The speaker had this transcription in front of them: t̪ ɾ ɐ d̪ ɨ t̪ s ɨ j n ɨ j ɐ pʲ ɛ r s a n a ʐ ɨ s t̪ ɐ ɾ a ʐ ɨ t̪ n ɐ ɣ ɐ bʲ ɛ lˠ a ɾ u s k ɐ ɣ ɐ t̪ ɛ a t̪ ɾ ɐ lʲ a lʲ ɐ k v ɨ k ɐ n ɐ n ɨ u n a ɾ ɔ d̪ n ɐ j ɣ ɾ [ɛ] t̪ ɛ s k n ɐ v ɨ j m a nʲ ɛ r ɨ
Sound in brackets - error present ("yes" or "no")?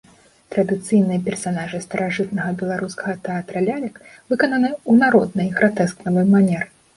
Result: yes